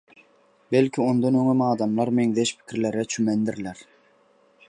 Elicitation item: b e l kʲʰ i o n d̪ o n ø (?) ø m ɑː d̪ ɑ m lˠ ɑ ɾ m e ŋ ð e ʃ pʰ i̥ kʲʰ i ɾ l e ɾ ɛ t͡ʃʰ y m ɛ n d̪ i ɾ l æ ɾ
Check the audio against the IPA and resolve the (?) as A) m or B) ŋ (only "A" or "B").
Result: B